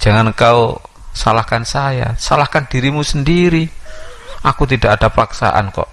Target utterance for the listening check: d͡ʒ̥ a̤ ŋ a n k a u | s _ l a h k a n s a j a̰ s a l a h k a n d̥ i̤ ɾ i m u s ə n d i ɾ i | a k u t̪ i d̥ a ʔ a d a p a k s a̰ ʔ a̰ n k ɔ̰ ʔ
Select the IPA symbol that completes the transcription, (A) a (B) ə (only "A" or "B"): A